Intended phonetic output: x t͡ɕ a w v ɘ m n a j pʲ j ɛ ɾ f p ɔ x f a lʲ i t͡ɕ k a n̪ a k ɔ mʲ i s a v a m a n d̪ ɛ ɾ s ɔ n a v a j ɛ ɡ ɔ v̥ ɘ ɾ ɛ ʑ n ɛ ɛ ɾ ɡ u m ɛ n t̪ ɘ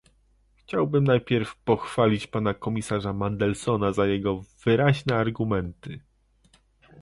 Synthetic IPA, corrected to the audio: x t͡ɕ a w b ɘ m n a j pʲ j ɛ ɾ f p ɔ x f a lʲ i t͡ɕ p a n̪ a k ɔ mʲ i s a ʐ a m a n d̪ ɛ l s ɔ n a z a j ɛ ɡ ɔ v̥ ɘ ɾ a ʑ n ɛ a ɾ ɡ u m ɛ n t̪ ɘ

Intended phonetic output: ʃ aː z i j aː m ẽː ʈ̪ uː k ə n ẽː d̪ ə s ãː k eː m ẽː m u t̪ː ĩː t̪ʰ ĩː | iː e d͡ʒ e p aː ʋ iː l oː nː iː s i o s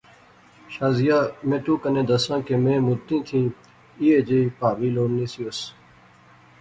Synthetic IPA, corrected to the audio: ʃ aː z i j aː m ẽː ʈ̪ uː k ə n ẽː d̪ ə s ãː k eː m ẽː m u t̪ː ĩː t̪ʰ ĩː | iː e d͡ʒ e p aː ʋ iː l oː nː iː s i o s

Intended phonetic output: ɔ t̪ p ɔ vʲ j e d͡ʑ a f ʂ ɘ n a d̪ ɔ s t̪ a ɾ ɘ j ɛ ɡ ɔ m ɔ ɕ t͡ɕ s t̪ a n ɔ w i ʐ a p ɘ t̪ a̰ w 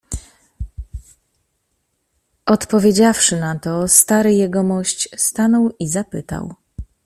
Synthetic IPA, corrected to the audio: ɔ t̪ p ɔ vʲ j e d͡ʑ a f ʂ ɘ n a t̪ ɔ s t̪ a ɾ ɘ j ɛ ɡ ɔ m ɔ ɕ t͡ɕ s t̪ a n ɔ w i z a p ɘ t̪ a̰ w

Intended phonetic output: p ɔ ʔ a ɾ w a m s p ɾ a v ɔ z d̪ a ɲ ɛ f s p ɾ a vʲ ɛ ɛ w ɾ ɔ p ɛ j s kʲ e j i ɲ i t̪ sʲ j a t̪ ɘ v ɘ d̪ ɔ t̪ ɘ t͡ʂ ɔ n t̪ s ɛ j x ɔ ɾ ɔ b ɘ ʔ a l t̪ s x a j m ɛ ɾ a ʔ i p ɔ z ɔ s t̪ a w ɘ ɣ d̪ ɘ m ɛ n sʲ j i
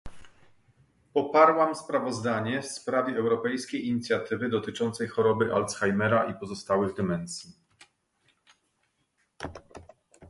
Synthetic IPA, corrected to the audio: p ɔ p a ɾ w a m s p ɾ a v ɔ z d̪ a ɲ ɛ f s p ɾ a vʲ ɛ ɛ w ɾ ɔ p ɛ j s kʲ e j i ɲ i t̪ sʲ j a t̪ ɘ v ɘ d̪ ɔ t̪ ɘ t͡ʂ ɔ n t̪ s ɛ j x ɔ ɾ ɔ b ɘ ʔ a l t̪ s x a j m ɛ ɾ a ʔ i p ɔ z ɔ s t̪ a w ɘ ɣ d̪ ɘ m ɛ n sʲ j i

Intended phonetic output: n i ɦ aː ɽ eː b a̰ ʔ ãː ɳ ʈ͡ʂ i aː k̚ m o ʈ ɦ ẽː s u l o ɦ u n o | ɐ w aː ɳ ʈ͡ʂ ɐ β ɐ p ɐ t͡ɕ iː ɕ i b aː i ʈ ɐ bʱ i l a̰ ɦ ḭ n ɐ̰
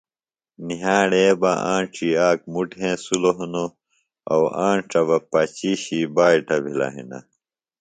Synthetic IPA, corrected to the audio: n i ɦ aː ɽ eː b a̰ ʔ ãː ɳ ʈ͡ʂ i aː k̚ m u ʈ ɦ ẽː s u l o ɦ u n o | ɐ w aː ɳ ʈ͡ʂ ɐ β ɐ p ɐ t͡ɕ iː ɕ i b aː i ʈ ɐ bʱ i l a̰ ɦ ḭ n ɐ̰

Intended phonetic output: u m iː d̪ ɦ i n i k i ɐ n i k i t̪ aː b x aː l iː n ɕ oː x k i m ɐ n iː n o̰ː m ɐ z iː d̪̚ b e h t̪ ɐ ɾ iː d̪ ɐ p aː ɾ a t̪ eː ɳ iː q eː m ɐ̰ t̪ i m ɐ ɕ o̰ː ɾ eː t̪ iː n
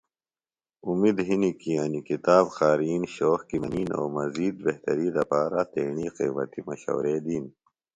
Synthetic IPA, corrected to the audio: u m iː d̪ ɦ i n i k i ɐ n i k i t̪ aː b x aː ɾ iː n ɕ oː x k i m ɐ n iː n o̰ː m ɐ z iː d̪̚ b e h t̪ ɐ ɾ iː d̪ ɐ p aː ɾ a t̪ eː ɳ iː q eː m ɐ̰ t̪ i m ɐ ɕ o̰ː ɾ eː d̪ iː n

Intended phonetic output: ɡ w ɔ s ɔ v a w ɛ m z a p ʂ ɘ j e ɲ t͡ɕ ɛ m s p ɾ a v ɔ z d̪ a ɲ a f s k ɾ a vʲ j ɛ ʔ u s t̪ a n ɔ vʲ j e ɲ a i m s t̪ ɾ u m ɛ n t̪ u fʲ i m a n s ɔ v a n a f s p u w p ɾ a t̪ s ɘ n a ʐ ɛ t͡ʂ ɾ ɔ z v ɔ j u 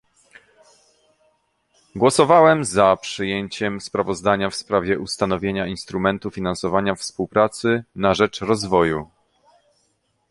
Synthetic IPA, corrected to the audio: ɡ w ɔ s ɔ v a w ɛ m z a p ʂ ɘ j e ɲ t͡ɕ ɛ m s p ɾ a v ɔ z d̪ a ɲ a f s p ɾ a vʲ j ɛ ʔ u s t̪ a n ɔ vʲ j e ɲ a i n s t̪ ɾ u m ɛ n t̪ u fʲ i n a n s ɔ v a ɲ a f s p u w p ɾ a t̪ s ɘ n a ʐ ɛ t͡ʂ ɾ ɔ z v ɔ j u

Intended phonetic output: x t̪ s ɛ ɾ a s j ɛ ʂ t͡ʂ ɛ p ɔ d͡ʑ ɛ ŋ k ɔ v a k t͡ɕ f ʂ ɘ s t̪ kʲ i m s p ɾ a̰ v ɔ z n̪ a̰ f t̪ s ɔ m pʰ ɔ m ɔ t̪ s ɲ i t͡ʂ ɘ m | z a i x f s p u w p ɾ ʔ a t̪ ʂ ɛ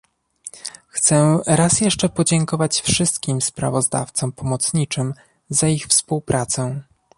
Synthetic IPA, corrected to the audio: x t̪ s ɛ ɾ a s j ɛ ʂ t͡ʂ ɛ p ɔ d͡ʑ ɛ ŋ k ɔ v a t͡ɕ f ʂ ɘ s t̪ kʲ i m s p ɾ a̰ v ɔ z d̪ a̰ f t̪ s ɔ m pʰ ɔ m ɔ t̪ s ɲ i t͡ʂ ɘ m | z a i x f s p u w p ɾ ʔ a t̪ s ɛ

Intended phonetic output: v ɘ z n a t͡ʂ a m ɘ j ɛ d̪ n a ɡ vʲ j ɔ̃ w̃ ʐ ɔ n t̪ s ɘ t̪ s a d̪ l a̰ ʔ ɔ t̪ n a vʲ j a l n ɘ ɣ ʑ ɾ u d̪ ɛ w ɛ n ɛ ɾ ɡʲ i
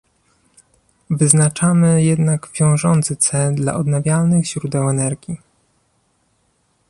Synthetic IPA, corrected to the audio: v ɘ z n a t͡ʂ a m ɘ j ɛ d̪ n a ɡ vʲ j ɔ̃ w̃ ʐ ɔ n t̪ s ɘ t̪ s ɛ d̪ l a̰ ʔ ɔ d̪ n a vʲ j a l n ɘ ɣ ʑ ɾ u d̪ ɛ w ɛ n ɛ ɾ ɡʲ i

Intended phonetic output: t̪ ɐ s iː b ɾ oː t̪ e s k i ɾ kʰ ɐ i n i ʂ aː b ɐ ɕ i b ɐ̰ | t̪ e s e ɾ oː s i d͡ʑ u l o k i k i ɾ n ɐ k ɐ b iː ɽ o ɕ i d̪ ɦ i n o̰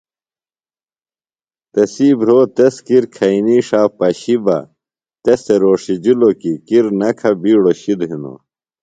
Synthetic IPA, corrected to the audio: t̪ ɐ s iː b ɾ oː t̪ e s k i ɾ kʰ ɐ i n i ʂ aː p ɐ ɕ i b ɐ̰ | t̪ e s e ɾ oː ʂ i d͡ʑ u l o k i k i ɾ n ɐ kʰ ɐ b iː ɽ o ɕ i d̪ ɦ i n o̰

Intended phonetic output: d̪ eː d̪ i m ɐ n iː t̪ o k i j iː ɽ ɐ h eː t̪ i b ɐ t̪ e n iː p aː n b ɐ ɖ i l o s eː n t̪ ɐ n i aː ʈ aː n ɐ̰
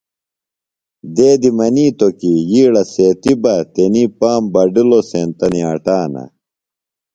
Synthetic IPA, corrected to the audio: d̪ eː d̪ i m ɐ n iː t̪ o k i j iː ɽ ɐ s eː t̪ i b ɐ t̪ e n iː p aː m b ɐ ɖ i l o s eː n t̪ ɐ n i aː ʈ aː n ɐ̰

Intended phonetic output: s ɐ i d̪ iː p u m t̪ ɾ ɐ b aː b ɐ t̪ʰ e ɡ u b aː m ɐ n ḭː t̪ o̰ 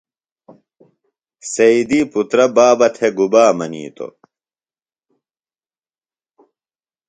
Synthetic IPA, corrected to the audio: s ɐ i d̪ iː p u t̪ ɾ ɐ b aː b ɐ t̪ʰ e ɡ u b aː m ɐ n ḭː t̪ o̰

